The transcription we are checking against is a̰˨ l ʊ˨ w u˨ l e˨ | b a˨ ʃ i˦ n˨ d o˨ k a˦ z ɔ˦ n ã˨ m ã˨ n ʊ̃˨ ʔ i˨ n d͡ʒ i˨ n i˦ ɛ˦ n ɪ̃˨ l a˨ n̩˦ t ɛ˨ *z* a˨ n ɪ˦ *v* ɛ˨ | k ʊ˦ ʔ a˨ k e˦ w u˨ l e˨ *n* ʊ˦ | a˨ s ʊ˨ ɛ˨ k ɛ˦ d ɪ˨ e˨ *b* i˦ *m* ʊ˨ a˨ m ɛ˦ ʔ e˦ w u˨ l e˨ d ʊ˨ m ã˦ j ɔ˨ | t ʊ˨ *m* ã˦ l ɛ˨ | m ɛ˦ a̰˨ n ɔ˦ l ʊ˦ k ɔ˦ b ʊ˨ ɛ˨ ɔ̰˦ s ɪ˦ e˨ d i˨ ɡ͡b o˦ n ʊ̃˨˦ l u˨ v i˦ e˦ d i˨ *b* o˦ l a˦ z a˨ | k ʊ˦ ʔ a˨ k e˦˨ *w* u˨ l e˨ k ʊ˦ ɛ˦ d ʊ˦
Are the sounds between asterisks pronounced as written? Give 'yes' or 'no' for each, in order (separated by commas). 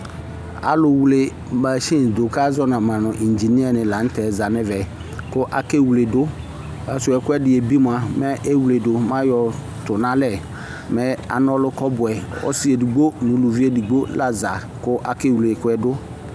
yes, yes, no, yes, yes, no, no, yes